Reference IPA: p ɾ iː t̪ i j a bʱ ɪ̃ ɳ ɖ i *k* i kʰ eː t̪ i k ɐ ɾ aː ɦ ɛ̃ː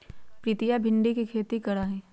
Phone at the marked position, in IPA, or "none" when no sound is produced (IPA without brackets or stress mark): k